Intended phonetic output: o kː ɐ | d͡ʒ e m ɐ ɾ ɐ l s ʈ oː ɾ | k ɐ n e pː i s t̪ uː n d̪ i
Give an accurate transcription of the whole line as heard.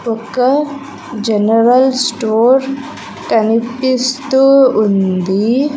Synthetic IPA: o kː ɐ | d͡ʒ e n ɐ ɾ ɐ l s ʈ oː ɾ | k ɐ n i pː i s t̪ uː n d̪ i